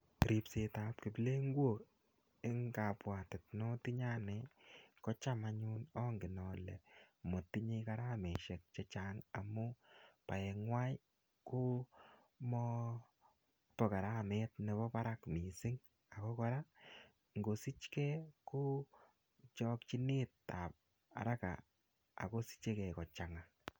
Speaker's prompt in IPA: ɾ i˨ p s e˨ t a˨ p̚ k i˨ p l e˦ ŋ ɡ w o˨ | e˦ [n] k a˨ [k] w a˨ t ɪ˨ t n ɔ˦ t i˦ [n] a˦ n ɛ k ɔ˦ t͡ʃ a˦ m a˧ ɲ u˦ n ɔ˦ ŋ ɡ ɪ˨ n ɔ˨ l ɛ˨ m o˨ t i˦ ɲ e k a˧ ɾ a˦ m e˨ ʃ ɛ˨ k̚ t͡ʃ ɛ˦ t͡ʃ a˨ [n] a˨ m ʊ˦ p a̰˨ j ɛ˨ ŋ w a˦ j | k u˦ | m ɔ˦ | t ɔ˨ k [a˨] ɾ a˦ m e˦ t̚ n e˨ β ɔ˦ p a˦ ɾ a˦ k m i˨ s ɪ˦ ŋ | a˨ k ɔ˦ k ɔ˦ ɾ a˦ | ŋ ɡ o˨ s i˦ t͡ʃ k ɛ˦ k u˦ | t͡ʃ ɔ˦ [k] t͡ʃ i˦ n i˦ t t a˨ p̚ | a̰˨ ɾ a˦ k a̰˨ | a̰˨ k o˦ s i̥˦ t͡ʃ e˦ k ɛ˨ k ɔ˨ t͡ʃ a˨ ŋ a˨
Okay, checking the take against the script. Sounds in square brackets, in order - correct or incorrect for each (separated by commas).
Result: incorrect, incorrect, incorrect, incorrect, correct, correct